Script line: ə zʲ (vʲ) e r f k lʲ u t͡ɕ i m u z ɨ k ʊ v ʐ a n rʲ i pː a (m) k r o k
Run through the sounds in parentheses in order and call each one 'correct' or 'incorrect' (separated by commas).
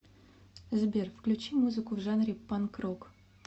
incorrect, incorrect